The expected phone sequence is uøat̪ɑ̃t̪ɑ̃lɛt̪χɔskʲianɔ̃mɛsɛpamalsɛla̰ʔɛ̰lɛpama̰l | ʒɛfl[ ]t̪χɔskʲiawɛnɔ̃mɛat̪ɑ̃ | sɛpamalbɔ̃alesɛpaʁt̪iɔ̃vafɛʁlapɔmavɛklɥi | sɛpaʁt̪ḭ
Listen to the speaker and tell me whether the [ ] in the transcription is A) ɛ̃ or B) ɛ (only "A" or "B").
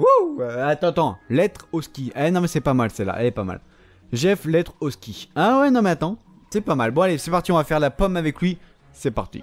B